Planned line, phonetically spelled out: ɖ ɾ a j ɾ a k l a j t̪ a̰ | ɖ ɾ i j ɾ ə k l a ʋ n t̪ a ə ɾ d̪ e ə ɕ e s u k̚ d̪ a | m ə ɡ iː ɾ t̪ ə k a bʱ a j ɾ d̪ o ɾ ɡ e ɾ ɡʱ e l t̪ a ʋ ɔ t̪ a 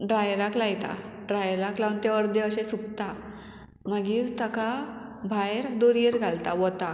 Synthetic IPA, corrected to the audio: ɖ ɾ a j ɾ a k l a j t̪ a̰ | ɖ ɾ a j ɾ a k l a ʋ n t̪ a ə ɾ d̪ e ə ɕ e s u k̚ t̪ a | m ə ɡ iː ɾ t̪ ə k a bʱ a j ɾ d̪ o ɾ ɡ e ɾ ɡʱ a l t̪ a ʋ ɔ t̪ a